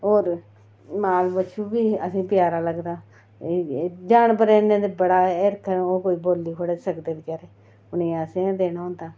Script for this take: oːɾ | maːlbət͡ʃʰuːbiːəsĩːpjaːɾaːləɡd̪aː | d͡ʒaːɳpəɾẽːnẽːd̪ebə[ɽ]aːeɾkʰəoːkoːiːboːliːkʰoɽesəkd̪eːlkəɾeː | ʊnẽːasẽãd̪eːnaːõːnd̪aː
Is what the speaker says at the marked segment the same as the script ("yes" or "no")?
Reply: yes